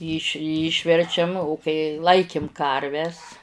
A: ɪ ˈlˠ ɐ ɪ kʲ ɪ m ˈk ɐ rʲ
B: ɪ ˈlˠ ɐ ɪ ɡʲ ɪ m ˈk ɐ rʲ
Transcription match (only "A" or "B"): A